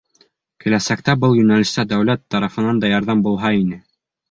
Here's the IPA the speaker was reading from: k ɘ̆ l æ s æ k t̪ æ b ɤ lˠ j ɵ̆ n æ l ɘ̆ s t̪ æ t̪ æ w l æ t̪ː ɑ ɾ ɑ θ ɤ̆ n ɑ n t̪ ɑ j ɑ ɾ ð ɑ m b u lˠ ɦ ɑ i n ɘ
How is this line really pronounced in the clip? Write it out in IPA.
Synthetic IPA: k ɘ̆ l æ s æ k t̪ æ b ɤ lˠ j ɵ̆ n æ l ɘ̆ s t̪ æ d̪ æ w l æ t̪ː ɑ ɾ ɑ f ɤ̆ n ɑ n d̪ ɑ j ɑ ɾ ð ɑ m b u lˠ ɦ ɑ i n ɘ